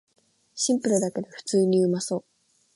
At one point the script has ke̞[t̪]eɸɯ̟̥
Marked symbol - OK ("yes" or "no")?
no